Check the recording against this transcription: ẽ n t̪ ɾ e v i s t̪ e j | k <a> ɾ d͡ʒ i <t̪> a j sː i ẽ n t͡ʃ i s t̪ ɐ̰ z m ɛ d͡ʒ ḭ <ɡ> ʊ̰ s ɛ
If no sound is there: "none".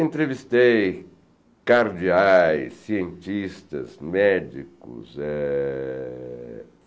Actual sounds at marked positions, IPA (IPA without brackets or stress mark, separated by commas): a, none, k